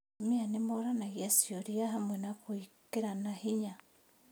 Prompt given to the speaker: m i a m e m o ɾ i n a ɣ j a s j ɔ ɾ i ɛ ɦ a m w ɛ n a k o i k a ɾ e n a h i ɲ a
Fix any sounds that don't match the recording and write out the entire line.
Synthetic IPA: m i a n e m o ɾ a n a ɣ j a s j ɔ ɾ i a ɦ a m w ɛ n a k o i k e ɾ a n a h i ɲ a

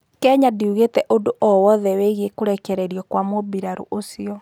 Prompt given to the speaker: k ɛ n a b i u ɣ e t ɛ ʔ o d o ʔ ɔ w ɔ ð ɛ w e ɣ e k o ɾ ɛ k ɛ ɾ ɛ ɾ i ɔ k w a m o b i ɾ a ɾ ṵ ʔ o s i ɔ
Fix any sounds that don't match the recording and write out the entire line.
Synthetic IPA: k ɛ ɲ a d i u ɣ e t ɛ ʔ o d o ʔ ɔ w ɔ ð ɛ w e ɣ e k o ɾ ɛ k ɛ ɾ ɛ ɾ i ɔ k w a m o b i ɾ a ɾ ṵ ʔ o s i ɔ

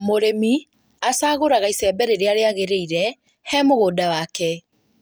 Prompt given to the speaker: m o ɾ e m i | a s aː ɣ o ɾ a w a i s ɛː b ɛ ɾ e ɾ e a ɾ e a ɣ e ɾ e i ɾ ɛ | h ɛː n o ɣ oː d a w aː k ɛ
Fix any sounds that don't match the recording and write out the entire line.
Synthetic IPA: m o ɾ e m i | a s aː ɣ o ɾ a ɣ a i s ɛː b ɛ ɾ e ɾ e a ɾ e a ɣ e ɾ e i ɾ ɛ | h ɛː m o ɣ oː d a w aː k ɛ

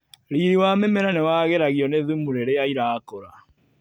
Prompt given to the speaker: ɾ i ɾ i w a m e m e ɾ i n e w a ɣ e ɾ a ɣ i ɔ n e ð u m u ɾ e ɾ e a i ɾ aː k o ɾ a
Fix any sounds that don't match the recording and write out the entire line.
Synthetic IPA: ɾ i ɾ i w a m e m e ɾ a n e w a ɣ e ɾ a ɣ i ɔ n e ð u m u ɾ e ɾ e a i ɾ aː k o ɾ a

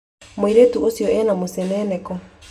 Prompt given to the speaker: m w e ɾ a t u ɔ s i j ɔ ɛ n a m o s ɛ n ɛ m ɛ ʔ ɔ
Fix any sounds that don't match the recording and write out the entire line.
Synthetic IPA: m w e ɾ e t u o s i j ɔ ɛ n a m o s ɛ n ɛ n ɛ k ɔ

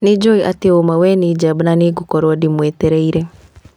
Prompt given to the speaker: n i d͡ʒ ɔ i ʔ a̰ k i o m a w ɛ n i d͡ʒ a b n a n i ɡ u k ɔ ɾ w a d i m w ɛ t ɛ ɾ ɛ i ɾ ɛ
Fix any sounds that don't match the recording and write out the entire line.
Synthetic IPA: n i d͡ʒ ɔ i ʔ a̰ t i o m a w ɛ n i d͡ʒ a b n a n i ɡ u k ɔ ɾ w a d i m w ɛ t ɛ ɾ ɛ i ɾ ɛ

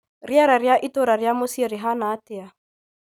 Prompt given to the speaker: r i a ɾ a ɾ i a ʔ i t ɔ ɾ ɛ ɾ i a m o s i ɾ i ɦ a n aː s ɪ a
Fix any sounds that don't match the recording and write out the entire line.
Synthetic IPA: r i a ɾ a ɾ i a ʔ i t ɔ ɾ a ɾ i a m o s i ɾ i ɦ a n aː t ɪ a

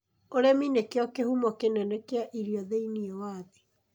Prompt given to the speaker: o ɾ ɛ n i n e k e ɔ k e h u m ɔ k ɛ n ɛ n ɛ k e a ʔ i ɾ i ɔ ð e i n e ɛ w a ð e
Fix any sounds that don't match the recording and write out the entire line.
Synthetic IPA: o ɾ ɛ m i n e k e ɔ k e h u m ɔ k e n ɛ n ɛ k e a ʔ i ɾ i ɔ ð e i n i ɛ w a ð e

